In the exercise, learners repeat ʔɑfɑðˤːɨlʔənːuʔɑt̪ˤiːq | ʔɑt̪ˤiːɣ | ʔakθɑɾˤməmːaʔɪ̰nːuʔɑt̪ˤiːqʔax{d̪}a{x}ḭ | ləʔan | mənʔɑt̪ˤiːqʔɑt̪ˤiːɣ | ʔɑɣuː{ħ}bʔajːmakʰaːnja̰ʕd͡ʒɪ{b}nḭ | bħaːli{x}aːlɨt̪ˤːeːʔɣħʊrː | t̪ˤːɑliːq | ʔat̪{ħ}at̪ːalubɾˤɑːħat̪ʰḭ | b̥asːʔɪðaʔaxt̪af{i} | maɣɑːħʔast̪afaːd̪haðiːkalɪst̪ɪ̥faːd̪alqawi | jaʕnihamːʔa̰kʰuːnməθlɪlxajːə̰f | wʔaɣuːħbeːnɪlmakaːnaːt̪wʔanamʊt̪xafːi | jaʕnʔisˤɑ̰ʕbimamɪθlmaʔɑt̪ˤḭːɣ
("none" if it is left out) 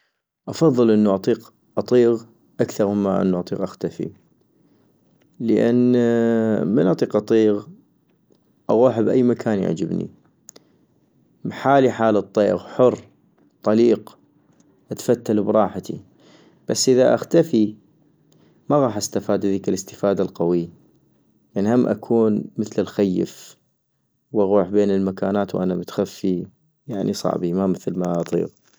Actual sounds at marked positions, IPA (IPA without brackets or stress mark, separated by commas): t̪, f, ħ, b, ħ, f, i